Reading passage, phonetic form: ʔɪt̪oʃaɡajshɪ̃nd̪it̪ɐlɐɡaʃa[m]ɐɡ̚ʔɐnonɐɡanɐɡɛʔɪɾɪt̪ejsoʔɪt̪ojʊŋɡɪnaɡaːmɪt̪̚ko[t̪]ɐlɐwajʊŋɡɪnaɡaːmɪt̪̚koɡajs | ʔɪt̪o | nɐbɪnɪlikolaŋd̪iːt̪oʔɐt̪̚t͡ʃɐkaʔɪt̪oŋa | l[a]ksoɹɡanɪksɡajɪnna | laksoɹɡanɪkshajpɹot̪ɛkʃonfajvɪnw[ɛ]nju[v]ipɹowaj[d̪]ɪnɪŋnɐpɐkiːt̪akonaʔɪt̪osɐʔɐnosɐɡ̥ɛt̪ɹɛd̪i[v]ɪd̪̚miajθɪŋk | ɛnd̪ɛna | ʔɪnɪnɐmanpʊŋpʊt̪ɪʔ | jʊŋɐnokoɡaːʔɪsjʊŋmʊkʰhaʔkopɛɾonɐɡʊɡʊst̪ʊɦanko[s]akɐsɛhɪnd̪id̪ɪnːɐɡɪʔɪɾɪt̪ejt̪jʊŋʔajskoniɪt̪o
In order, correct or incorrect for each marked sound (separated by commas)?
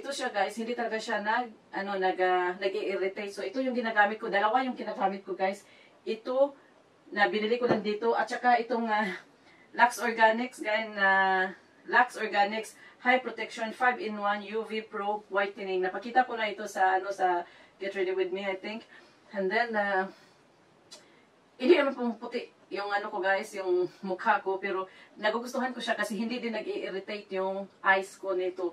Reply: incorrect, incorrect, correct, incorrect, correct, incorrect, incorrect, incorrect